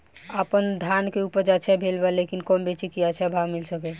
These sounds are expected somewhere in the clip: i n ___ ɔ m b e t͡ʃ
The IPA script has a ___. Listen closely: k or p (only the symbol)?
k